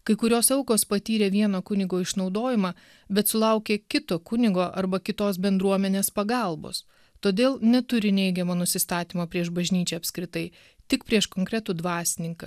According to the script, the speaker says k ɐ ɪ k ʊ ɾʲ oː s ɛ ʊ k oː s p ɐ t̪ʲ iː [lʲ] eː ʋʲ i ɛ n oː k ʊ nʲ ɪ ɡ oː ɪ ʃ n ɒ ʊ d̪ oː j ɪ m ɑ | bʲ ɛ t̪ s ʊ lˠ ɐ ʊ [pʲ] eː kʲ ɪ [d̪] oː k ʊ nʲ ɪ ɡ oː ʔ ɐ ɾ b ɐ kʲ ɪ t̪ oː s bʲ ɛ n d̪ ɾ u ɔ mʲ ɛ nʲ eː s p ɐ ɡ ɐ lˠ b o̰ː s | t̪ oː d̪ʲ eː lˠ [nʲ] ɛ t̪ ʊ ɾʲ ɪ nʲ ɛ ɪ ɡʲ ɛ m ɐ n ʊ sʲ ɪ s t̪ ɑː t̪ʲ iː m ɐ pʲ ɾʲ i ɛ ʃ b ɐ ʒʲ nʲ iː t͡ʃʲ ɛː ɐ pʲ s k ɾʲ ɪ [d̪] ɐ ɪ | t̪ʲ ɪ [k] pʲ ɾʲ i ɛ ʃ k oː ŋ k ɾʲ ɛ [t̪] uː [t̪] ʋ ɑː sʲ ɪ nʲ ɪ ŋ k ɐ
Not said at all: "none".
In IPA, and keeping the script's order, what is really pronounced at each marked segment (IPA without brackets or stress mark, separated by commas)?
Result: ɾʲ, kʲ, t̪, nʲ, t̪, k, t̪, d̪